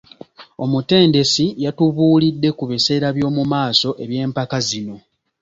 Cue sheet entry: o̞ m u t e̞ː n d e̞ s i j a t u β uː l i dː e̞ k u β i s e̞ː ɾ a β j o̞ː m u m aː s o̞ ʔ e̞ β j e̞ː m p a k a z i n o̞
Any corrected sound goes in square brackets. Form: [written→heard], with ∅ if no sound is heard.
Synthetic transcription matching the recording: o̞ m u t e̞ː n d e̞ s i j a t u β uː l i dː e̞ k u β i s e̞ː ɾ a β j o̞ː m u m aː s o̞ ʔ e̞ β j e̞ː m p a k a z i n o̞